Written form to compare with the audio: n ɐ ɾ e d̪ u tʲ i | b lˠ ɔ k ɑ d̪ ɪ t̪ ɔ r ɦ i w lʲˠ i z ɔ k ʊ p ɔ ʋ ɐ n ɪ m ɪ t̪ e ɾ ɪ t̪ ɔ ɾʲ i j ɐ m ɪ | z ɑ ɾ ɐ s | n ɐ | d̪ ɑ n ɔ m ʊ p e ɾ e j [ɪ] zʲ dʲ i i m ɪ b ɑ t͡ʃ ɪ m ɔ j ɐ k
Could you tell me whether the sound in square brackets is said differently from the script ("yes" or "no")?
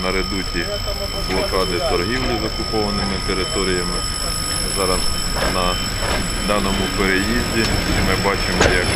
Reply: yes